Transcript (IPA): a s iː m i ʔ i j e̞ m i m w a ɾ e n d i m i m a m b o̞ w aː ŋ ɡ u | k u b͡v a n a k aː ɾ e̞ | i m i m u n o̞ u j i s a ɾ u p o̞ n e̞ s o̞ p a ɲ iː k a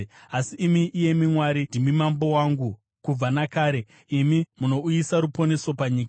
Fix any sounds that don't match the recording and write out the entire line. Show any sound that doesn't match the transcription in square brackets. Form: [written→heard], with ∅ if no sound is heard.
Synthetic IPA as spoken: a s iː m i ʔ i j e̞ m i m w a ɾ [e→i] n d i m i m a m b o̞ w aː ŋ ɡ u | k u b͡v a n a k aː ɾ e̞ | i m i m u n o̞ u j i s a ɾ u p o̞ n e̞ s o̞ p a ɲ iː k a